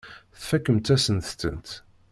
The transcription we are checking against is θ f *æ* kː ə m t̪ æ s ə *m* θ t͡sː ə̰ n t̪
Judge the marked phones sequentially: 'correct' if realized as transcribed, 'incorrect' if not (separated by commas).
correct, incorrect